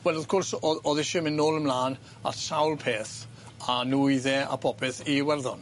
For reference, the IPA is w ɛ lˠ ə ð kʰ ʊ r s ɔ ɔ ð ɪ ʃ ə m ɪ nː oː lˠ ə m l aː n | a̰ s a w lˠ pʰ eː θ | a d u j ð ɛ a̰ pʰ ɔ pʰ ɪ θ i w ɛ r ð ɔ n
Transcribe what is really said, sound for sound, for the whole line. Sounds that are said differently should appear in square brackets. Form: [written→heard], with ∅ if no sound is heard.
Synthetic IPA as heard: w ɛ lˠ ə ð kʰ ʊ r s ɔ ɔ ð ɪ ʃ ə m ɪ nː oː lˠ ə m l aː n | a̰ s a w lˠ pʰ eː θ | a [d→n] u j ð ɛ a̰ pʰ ɔ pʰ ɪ θ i w ɛ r ð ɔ n